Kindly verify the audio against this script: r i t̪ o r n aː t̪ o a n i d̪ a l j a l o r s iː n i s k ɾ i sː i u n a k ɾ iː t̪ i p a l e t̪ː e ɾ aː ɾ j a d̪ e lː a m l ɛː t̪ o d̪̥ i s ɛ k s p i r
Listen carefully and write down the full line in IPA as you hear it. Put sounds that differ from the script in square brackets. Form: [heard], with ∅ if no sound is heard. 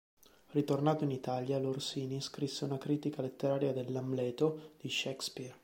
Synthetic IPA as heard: r i t̪ o r n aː t̪ o [i] n i [t̪] a l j a l o r s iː n i s k ɾ i sː [e] u n a k ɾ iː t̪ i [k] a l e t̪ː e ɾ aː ɾ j a d̪ e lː a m l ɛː t̪ o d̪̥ i [ʃ] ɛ k s p i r